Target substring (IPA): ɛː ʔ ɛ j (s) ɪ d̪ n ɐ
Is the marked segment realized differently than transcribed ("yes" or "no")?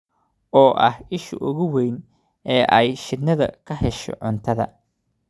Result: yes